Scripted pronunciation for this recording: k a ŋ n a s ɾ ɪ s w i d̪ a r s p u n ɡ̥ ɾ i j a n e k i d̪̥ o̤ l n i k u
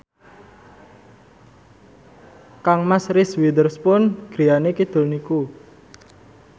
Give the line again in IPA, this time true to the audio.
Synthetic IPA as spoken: k a ŋ m a s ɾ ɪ s w i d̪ ə r s p ʊ n ɡ̥ ɾ i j a n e k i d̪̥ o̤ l n i k u